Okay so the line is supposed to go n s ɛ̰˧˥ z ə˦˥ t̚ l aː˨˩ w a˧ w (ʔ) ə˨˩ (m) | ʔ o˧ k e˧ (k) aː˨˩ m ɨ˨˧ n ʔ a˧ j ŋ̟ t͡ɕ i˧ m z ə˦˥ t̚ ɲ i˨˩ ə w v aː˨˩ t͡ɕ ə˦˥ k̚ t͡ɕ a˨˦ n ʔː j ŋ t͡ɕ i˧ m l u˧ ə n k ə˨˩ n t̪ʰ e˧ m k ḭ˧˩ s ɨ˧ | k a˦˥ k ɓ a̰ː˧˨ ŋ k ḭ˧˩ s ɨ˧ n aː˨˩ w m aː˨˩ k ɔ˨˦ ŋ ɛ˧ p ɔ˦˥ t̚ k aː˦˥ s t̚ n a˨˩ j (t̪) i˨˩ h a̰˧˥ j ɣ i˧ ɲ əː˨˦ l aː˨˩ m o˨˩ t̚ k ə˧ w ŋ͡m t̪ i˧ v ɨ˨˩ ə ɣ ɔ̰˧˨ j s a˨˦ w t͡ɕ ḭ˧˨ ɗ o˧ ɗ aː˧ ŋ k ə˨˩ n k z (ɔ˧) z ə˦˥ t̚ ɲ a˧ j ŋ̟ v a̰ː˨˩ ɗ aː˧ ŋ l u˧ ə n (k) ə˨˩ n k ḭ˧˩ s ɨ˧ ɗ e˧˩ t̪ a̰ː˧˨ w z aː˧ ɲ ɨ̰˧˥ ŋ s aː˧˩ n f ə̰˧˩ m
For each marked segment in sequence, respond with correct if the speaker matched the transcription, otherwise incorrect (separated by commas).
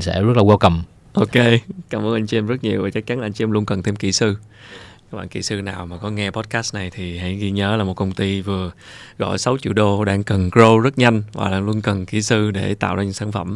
incorrect, correct, correct, incorrect, incorrect, correct